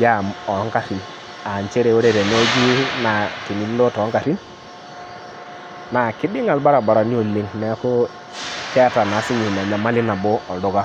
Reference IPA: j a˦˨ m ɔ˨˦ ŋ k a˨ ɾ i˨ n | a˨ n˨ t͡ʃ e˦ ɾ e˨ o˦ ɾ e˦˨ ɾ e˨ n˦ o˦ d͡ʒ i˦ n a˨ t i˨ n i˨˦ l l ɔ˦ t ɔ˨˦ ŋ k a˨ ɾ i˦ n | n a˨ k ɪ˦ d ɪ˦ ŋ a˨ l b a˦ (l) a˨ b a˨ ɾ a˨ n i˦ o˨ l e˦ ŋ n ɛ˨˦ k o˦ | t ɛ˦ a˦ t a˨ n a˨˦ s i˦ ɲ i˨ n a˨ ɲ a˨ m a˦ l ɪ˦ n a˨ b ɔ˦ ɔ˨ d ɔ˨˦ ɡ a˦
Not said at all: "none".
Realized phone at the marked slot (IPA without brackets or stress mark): ɾ